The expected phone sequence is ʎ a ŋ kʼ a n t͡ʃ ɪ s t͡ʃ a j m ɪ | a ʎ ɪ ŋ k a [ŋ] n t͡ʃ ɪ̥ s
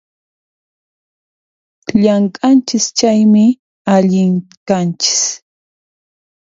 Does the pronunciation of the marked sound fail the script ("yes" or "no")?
yes